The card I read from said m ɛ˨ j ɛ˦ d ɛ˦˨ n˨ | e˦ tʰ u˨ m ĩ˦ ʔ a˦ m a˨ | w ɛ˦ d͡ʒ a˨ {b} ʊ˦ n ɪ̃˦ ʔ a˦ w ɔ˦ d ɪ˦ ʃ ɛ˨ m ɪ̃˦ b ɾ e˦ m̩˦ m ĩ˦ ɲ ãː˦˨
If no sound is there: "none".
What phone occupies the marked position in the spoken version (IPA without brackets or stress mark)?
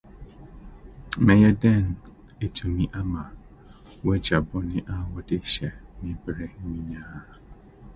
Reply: b